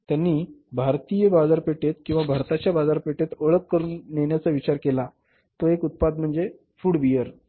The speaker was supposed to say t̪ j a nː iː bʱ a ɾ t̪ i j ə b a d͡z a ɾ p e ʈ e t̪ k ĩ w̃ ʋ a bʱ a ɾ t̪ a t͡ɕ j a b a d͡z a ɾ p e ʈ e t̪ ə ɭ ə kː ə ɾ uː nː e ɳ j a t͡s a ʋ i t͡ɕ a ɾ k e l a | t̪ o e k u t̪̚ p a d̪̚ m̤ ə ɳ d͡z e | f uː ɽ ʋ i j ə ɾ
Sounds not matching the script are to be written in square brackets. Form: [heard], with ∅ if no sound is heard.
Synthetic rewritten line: t̪ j a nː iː bʱ a ɾ t̪ i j ə b a d͡z a ɾ p e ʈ e t̪ k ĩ w̃ ʋ a bʱ a ɾ t̪ a t͡ɕ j a b a d͡z a ɾ p e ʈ e t̪ ə ɭ ə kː ə ɾ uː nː e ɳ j a t͡s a ʋ i t͡ɕ a ɾ k e l a | t̪ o e k u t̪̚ p a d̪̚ m̤ ə ɳ d͡z e | f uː ɽ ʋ i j ə ɾ